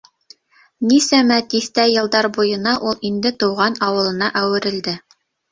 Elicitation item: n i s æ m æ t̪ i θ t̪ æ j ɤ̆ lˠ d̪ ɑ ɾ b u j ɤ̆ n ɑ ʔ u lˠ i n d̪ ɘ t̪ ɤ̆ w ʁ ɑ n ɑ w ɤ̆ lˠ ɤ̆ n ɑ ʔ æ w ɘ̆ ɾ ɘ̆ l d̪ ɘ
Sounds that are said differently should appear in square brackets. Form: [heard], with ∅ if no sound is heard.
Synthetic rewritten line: n i s æ m æ t̪ i θ t̪ æ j ɤ̆ lˠ d̪ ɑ ɾ b u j ɤ̆ n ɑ ʔ u lˠ i n d̪ ɘ t̪ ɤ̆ w ʁ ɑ n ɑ w ɤ̆ lˠ ɤ̆ n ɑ ʔ æ w ɘ̆ ɾ ɘ̆ l d̪ ɘ